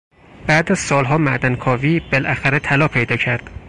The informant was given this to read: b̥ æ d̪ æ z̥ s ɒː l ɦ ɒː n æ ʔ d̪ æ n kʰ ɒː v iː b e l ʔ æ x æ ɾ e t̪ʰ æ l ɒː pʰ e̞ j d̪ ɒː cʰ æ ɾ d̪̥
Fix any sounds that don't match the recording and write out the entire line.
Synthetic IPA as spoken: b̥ æ d̪ æ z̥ s ɒː l ɦ ɒː m æ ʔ d̪ æ n kʰ ɒː v iː b e l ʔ æ x æ ɾ e t̪ʰ æ l ɒː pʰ e̞ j d̪ ɒː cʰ æ ɾ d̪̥

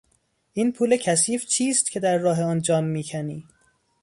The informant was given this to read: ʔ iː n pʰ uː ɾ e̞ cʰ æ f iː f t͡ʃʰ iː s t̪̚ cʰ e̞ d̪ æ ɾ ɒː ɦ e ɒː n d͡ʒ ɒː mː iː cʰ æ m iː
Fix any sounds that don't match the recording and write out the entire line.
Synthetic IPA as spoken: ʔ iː n pʰ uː l e̞ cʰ æ s iː f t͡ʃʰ iː s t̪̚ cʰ e̞ d̪ æ ɾː ɒː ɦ e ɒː n d͡ʒ ɒː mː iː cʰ æ n iː

